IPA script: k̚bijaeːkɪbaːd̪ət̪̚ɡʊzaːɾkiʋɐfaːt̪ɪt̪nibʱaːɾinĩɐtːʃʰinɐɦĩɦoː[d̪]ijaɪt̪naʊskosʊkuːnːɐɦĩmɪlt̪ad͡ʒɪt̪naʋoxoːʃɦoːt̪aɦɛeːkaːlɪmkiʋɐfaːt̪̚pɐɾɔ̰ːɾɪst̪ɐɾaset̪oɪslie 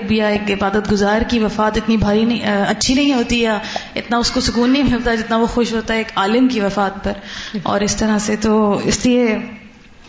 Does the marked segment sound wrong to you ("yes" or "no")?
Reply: yes